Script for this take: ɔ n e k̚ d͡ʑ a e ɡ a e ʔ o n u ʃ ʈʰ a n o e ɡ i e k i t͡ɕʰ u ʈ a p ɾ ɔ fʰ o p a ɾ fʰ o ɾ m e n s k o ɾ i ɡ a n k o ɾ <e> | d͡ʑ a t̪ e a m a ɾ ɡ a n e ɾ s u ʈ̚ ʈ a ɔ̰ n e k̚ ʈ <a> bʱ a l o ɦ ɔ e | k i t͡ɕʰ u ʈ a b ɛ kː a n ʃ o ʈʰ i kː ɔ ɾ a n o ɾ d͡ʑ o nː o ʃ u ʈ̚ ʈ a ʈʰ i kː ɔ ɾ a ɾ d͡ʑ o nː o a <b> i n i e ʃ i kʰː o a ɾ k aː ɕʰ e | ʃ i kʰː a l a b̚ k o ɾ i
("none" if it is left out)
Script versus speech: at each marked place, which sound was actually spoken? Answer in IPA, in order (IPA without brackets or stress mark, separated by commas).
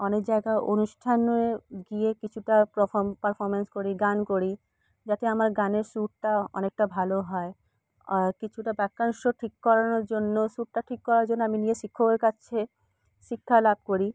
i, a, m